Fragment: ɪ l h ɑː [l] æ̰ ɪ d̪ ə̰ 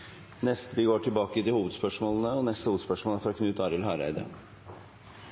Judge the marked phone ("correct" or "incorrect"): incorrect